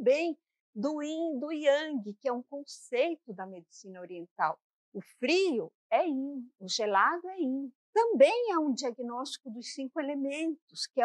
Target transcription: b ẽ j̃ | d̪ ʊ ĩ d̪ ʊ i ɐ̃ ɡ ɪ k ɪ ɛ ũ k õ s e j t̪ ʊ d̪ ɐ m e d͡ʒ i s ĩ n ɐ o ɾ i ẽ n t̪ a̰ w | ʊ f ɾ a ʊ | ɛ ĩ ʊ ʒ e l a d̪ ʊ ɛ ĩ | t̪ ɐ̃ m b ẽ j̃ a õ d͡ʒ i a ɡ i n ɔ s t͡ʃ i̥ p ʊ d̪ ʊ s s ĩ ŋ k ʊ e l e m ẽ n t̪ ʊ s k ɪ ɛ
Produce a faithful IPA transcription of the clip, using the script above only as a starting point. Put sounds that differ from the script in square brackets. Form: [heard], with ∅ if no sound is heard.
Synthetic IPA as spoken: b ẽ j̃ | d̪ ʊ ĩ d̪ ʊ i ɐ̃ ɡ ɪ k ɪ ɛ ũ k õ s e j t̪ ʊ d̪ ɐ m e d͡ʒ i s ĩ n ɐ o ɾ i ẽ n t̪ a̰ w | ʊ f ɾ [i] ʊ | ɛ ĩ ʊ ʒ e l a d̪ ʊ ɛ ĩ | t̪ ɐ̃ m b ẽ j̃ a [ũ] d͡ʒ i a ɡ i n ɔ s t͡ʃ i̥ [k] ʊ d̪ ʊ s s ĩ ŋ k ʊ e l e m ẽ n t̪ ʊ s k ɪ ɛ